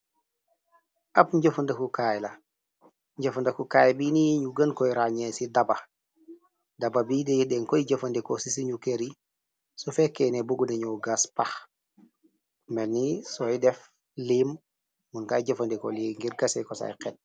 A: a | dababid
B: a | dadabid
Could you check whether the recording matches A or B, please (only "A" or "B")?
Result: A